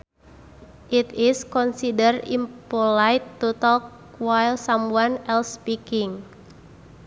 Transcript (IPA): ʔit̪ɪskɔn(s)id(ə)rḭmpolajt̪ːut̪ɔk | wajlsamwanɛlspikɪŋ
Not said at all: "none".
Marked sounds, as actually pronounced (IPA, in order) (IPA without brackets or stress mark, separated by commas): s, ə